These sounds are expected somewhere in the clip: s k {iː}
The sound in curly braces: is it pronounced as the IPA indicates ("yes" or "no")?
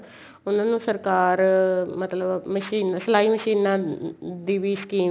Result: yes